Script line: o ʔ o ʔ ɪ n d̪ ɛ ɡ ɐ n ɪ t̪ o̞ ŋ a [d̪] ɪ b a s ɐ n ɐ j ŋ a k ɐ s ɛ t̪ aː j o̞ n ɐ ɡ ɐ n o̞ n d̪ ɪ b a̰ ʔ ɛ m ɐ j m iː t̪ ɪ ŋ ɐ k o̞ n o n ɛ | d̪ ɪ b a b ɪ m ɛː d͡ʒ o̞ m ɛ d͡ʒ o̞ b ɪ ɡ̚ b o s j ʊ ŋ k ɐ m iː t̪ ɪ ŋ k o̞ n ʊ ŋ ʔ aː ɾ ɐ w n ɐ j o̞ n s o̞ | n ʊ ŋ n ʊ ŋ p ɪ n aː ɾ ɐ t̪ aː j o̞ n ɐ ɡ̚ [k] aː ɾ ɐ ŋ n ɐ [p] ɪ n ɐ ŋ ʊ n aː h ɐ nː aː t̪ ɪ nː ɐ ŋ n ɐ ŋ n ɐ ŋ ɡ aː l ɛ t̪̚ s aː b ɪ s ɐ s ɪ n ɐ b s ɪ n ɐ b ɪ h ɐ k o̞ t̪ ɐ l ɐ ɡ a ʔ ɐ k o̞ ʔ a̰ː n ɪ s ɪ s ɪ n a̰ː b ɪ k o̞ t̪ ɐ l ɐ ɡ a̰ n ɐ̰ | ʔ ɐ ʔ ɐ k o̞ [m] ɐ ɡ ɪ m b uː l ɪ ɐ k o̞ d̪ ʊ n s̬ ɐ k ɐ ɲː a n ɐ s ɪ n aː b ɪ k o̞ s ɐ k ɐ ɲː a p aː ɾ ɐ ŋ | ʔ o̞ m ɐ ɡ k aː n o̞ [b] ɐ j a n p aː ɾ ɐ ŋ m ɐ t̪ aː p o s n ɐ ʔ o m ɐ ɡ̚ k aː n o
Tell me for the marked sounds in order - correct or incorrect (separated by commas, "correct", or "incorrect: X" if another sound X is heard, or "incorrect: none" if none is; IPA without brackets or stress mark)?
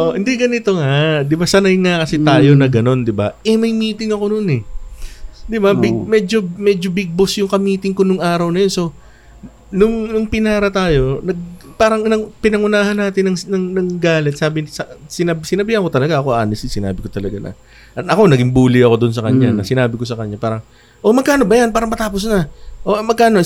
correct, incorrect: p, correct, incorrect: n, correct